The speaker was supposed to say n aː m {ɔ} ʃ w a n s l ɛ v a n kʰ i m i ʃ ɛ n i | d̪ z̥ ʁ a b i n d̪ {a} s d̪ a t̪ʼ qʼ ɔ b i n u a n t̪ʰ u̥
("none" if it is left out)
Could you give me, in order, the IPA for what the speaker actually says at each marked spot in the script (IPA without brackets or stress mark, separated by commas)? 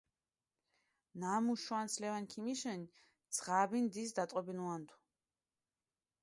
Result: u, i